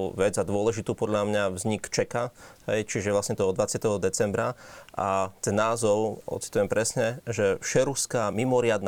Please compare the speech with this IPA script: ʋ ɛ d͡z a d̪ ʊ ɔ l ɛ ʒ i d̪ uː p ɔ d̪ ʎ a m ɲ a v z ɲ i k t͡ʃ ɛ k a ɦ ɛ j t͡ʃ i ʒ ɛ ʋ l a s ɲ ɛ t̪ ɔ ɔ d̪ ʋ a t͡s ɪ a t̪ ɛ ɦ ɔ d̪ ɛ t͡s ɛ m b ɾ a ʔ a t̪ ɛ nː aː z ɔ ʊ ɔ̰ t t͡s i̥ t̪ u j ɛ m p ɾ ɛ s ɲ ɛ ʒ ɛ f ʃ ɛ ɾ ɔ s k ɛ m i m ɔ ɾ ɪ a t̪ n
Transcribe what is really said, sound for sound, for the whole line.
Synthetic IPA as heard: ʋ ɛ d͡z a d̪ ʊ ɔ l ɛ ʒ i t̪ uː p ɔ d̪ ʎ a m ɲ a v z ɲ i k t͡ʃ ɛ k a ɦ ɛ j t͡ʃ i ʒ ɛ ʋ l a s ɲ ɛ t̪ ɔ ɔ d̪ ʋ a t͡s ɪ a t̪ ɛ ɦ ɔ d̪ ɛ t͡s ɛ m b ɾ a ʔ a t̪ ɛ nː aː z ɔ ʊ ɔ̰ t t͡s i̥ t̪ u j ɛ m p ɾ ɛ s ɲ ɛ ʒ ɛ f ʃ ɛ ɾ u s k a m i m ɔ ɾ ɪ a d̪ n